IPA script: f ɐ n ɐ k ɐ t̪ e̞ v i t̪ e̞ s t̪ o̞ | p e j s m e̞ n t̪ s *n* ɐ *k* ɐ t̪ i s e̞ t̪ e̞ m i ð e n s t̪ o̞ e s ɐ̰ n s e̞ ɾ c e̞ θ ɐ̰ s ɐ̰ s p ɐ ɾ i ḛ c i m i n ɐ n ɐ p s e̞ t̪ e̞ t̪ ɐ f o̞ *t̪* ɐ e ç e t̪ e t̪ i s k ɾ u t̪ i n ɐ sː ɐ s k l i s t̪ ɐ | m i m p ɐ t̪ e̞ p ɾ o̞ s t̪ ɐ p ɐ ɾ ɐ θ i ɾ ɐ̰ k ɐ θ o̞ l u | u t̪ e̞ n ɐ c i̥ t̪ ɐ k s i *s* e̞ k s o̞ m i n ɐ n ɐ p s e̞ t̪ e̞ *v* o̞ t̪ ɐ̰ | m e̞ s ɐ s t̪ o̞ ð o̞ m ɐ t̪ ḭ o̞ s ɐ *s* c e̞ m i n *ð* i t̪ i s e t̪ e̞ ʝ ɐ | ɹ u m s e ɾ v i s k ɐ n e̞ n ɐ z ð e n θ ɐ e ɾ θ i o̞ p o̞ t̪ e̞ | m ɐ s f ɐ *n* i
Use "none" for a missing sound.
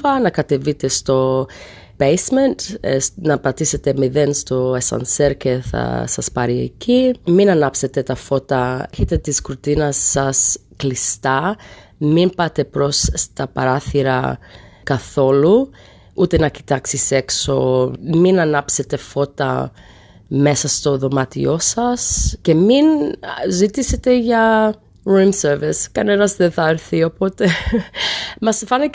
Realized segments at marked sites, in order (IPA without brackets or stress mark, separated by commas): n, p, t̪, s, f, s, z, n